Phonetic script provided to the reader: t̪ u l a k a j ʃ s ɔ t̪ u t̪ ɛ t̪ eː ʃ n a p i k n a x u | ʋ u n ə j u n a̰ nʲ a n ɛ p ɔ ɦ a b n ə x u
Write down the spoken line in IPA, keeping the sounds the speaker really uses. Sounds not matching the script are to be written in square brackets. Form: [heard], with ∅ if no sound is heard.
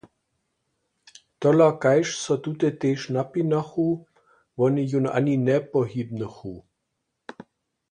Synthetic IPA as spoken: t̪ [ɔ] l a k a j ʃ s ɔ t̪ u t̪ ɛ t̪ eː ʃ n a p i [∅] n a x u | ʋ [ɔ] n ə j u n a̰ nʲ [i] n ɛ p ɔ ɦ [i] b n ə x u